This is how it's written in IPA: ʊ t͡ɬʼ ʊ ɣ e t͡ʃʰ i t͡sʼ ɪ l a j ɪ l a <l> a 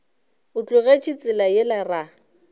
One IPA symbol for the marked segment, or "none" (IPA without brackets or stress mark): r